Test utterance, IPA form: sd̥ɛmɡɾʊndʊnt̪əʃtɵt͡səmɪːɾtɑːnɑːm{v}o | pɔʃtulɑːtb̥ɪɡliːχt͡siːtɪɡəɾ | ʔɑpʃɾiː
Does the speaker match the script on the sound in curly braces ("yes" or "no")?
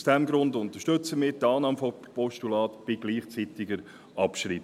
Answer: no